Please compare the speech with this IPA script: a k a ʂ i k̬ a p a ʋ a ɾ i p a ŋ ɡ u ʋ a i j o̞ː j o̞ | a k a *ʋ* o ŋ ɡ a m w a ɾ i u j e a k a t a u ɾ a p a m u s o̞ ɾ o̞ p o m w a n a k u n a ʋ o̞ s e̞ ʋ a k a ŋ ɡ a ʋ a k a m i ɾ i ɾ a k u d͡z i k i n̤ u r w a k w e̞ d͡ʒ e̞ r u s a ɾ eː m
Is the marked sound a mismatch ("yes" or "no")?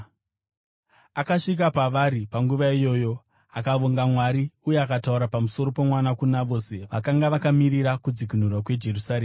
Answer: no